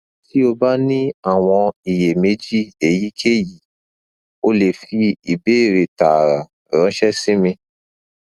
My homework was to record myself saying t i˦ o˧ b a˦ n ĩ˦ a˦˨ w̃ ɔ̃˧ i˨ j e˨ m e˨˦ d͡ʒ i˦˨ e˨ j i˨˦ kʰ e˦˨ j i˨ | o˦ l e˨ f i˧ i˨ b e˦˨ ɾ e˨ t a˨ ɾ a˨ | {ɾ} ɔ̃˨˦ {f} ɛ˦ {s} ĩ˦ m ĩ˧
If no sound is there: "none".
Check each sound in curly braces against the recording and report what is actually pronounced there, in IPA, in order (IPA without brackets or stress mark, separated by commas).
ɾ, ʃ, s